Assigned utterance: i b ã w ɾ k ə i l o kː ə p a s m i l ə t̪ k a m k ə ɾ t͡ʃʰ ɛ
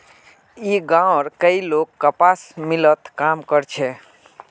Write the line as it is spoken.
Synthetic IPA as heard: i ɡ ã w ɾ k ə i l o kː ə p a s m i l ə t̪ k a m k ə ɾ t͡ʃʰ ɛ

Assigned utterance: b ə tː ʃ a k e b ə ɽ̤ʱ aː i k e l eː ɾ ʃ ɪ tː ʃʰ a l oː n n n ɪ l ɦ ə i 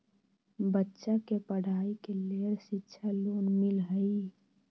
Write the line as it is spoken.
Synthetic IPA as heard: b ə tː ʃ a k e p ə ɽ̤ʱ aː i k e l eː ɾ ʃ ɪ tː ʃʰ a l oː n n m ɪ l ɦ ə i

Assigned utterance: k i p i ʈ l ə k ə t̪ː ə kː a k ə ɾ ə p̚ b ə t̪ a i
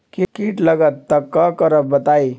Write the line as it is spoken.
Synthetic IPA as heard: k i k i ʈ l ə ɡ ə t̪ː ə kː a k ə ɾ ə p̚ b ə t̪ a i

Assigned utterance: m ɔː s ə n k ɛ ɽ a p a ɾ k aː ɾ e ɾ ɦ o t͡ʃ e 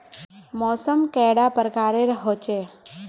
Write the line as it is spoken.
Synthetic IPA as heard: m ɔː s ə m k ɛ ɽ a p ə ɾ k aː ɾ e ɾ ɦ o t͡ʃ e

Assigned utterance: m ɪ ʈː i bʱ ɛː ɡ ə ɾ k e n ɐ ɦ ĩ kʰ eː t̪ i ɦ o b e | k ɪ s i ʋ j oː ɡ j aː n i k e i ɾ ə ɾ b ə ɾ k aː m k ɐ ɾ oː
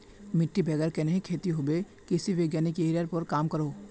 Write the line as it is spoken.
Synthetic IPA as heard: m ɪ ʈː i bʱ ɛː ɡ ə ɾ k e n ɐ ɦ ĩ kʰ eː t̪ i ɦ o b e | k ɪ s i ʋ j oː ɡ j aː n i k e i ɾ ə ɾ p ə ɾ k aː m k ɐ ɾ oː

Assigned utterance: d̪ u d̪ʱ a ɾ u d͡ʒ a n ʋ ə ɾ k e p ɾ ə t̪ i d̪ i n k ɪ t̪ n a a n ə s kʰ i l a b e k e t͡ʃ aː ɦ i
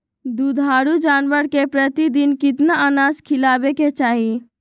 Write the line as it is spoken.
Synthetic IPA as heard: d̪ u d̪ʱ a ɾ u d͡ʒ a n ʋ ə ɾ k e p ɾ ə t̪ i d̪ i n k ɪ t̪ n a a n a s kʰ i l a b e k e t͡ʃ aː ɦ i

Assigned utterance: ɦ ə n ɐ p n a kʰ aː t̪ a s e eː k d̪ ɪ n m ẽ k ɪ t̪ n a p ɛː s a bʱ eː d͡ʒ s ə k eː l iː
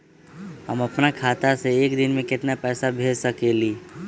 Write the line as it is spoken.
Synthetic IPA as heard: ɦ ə m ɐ p n a kʰ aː t̪ a s e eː k d̪ ɪ n m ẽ k ɪ t̪ n a p ɛː s a bʱ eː d͡ʒ s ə k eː l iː

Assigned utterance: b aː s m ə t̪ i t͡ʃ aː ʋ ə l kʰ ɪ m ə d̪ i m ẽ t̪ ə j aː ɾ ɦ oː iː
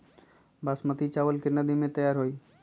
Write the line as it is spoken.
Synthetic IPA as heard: b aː s m ə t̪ i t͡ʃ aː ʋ ə l k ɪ n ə d̪ i m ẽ t̪ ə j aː ɾ ɦ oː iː

